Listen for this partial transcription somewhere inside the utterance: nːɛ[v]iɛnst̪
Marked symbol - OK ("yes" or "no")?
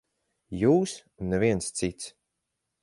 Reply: yes